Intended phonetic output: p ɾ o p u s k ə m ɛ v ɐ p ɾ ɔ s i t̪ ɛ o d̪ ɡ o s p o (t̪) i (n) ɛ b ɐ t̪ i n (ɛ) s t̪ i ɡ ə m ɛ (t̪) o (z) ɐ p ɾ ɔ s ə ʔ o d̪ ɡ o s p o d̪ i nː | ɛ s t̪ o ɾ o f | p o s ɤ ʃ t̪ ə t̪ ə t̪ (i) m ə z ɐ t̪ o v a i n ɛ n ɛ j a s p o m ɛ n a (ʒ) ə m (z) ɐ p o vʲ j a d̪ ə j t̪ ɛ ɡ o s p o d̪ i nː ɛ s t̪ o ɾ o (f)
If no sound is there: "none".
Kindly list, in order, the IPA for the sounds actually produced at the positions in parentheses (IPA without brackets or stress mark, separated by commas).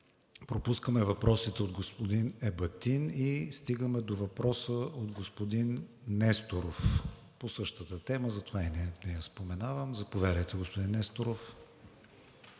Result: d̪, n, i, d̪, v, ɛ, v, z, f